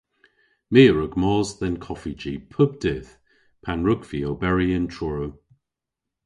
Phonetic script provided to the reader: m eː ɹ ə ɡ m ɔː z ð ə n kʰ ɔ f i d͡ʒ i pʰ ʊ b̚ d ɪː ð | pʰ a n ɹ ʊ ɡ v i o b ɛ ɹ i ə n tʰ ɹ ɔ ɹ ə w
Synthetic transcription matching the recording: m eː ɹ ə ɡ m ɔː z ð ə n kʰ ɔ f i d͡ʒ i pʰ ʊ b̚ d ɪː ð | pʰ a n ɹ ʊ ɡ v i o b ɛ ɹ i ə n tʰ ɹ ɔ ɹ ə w

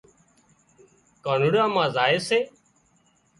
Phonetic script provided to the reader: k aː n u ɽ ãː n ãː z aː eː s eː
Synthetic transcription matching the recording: k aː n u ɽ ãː m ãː z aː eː s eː

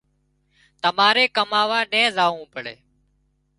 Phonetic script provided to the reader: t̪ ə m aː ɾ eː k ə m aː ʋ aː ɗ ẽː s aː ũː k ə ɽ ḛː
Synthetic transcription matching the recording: t̪ ə m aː ɾ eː k ə m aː ʋ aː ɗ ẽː z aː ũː p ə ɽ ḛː

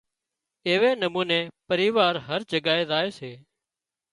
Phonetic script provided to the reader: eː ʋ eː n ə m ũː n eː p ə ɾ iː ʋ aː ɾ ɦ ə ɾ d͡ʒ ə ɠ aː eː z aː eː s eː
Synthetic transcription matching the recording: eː ʋ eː n ə m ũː n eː p ə ɾ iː ʋ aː ɾ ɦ ə ɾ d͡ʒ ə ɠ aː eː z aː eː s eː

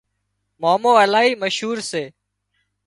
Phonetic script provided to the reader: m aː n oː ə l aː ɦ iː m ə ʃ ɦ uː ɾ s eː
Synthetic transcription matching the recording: m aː m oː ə l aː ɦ iː m ə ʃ ɦ uː ɾ s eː

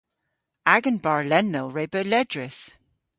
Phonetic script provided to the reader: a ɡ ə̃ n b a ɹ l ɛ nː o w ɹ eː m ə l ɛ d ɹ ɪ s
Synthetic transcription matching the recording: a ɡ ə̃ n b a ɹ l ɛ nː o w ɹ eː b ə l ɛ d ɹ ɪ s

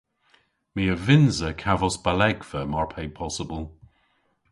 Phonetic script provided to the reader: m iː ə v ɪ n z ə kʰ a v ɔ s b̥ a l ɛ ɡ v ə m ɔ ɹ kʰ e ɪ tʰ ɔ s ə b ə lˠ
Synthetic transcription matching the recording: m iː ə v ɪ n z ə kʰ a v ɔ s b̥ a l ɛ ɡ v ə m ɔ ɹ pʰ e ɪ pʰ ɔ s ə b ə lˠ

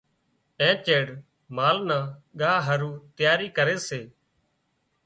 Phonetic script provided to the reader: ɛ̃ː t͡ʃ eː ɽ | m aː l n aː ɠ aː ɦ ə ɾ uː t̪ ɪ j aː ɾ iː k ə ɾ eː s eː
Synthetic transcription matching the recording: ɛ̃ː t͡ʃ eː ɽ | m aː l n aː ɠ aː ɦ ə ɾ uː t̪ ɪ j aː ɾ iː k ə ɾ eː s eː

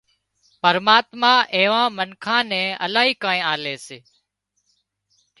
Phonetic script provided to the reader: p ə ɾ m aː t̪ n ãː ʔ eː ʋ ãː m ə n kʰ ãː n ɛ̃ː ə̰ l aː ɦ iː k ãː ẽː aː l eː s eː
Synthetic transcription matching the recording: p ə ɾ m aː t̪ m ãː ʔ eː ʋ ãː m ə n kʰ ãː n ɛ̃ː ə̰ l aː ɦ iː k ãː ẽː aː l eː s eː

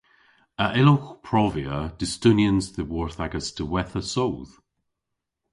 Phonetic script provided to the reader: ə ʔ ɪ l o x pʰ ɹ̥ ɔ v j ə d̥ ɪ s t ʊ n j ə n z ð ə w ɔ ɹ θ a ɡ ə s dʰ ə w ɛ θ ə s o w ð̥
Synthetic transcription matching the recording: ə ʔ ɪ l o x pʰ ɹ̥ ɔ v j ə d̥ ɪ s t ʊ n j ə n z ð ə w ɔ ɹ θ a ɡ ə s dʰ ə w ɛ θ ə s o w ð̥

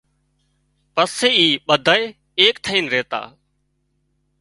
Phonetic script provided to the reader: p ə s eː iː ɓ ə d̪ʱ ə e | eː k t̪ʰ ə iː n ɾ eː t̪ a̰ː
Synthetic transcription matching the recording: p ə s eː iː ɓ ə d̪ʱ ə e | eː k t̪ʰ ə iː n ɾ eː t̪ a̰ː

